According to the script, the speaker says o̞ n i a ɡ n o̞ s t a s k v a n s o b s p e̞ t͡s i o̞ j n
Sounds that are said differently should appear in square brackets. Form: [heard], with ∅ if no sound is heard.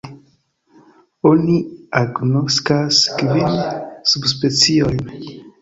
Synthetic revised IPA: o̞ n i a ɡ n o̞ s [k] a s k v [i] n s [u] b s p e̞ t͡s i o̞ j n